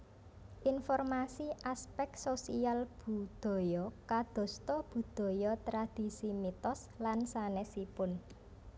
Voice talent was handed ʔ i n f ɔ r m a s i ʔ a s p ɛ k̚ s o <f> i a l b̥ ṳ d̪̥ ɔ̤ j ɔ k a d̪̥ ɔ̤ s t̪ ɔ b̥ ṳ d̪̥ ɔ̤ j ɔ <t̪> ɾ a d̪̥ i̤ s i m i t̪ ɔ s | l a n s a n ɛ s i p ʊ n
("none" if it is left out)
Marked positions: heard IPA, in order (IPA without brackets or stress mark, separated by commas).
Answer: s, t̪